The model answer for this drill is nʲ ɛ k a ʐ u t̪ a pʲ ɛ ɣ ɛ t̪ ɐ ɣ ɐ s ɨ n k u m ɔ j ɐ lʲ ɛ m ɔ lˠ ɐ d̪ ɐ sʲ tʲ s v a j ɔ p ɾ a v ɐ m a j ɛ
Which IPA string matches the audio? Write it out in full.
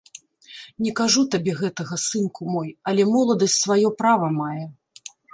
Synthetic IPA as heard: nʲ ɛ k a ʐ u t̪ a bʲ ɛ ɣ ɛ t̪ ɐ ɣ ɐ s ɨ n k u m ɔ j ɐ lʲ ɛ m ɔ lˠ ɐ d̪ ɐ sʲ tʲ s v a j ɔ p ɾ a v ɐ m a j ɛ